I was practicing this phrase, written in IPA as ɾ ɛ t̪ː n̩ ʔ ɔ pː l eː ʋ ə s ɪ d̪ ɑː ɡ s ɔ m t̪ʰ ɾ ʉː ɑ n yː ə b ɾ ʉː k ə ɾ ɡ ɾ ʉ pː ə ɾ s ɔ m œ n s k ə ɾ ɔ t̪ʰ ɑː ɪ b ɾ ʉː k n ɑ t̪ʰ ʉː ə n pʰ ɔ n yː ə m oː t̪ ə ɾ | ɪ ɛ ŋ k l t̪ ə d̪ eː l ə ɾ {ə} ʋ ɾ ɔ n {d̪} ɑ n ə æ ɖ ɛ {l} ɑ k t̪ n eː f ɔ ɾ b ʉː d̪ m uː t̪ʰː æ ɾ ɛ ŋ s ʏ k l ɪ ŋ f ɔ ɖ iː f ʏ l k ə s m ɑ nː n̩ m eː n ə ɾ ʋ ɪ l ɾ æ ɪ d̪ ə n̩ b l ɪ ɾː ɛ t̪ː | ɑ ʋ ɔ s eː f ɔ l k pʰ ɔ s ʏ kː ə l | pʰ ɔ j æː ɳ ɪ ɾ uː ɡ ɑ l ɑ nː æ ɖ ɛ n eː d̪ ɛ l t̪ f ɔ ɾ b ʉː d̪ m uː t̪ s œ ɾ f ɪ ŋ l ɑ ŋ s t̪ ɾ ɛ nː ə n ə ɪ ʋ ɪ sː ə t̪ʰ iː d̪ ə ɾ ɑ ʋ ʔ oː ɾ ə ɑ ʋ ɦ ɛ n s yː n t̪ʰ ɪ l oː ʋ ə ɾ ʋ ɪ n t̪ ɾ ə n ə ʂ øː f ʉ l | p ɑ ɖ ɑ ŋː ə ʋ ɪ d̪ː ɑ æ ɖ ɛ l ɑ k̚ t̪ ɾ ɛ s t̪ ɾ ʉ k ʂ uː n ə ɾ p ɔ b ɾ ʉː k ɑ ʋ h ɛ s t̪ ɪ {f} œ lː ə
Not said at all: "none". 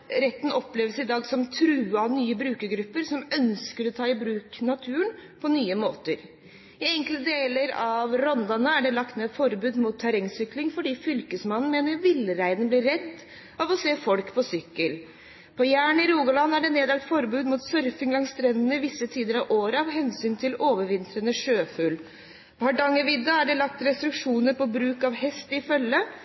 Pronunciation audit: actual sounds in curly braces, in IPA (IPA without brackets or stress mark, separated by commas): ɑ, d̪, l, f